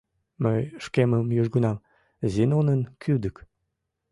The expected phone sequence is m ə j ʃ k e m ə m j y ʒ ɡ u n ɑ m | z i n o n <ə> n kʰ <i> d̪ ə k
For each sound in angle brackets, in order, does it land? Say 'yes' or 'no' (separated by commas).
yes, no